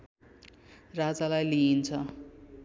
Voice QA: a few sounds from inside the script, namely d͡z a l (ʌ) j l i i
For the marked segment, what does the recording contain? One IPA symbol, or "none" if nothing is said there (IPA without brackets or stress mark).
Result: a